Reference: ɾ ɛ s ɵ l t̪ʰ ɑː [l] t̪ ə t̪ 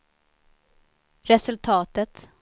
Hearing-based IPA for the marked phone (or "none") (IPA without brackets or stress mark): none